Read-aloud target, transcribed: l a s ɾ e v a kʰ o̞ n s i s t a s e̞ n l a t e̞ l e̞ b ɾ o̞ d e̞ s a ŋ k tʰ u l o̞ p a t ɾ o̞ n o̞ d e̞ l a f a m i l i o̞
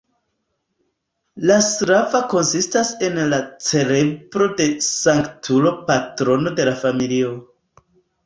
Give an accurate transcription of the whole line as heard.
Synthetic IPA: l a s ɾ a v a k o̞ n s i s t a s e̞ n l a t͡s e̞ l e̞ b ɾ o̞ d e̞ s a ŋ k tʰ u l o̞ p a t ɾ o̞ n o̞ d e̞ l a f a m i l i o̞